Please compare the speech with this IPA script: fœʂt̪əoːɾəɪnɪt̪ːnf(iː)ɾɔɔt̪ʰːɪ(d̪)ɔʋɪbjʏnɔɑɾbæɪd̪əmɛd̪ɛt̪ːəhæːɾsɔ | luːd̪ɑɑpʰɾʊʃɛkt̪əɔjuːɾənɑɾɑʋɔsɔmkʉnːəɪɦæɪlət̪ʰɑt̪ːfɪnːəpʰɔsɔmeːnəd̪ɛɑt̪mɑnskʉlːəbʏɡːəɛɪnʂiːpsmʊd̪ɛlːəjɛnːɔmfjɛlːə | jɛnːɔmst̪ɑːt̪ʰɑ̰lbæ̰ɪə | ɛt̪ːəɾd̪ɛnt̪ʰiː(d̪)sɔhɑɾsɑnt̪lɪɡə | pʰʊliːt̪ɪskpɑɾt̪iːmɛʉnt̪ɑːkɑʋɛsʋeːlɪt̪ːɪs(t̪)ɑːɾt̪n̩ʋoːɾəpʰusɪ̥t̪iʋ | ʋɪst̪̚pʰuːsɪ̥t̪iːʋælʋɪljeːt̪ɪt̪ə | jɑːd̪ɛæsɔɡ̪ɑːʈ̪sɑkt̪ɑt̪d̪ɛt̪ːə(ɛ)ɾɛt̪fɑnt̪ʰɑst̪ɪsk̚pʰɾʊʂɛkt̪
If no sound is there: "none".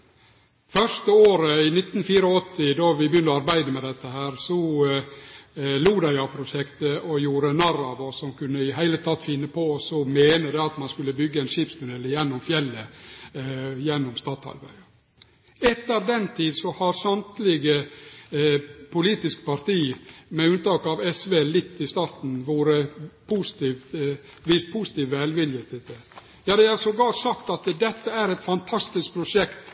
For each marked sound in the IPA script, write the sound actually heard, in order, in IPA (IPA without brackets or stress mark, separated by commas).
iː, d̪, d̪, t̪, æ